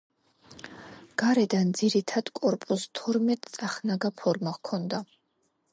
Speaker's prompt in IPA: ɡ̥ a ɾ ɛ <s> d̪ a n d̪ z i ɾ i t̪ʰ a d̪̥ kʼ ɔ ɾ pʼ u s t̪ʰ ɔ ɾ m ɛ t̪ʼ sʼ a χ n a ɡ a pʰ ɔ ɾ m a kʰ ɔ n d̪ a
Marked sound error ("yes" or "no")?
yes